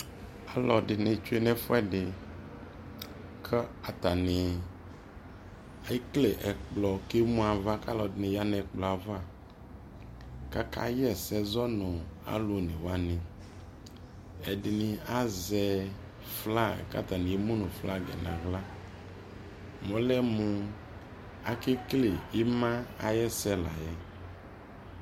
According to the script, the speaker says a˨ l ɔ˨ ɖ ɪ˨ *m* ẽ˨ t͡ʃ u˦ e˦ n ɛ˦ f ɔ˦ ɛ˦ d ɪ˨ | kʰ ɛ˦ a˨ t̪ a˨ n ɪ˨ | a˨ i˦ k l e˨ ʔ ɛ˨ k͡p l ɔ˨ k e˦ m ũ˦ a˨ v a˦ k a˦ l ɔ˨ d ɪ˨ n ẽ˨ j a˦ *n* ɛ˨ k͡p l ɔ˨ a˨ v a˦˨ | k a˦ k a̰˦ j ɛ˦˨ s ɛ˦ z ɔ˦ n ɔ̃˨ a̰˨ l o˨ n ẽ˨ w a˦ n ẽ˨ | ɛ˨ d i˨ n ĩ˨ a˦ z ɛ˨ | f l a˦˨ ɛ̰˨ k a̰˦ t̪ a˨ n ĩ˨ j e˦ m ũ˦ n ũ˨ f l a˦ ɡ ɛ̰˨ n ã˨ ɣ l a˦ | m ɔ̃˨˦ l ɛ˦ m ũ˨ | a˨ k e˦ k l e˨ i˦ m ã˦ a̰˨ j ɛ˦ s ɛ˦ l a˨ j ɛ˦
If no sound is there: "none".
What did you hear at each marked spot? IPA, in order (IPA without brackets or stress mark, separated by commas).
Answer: n, n